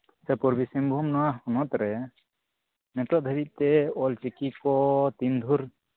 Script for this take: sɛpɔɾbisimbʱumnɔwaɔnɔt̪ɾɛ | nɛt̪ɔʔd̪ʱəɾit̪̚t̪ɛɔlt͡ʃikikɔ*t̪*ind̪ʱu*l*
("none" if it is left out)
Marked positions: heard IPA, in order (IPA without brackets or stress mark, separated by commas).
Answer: t̪, ɾ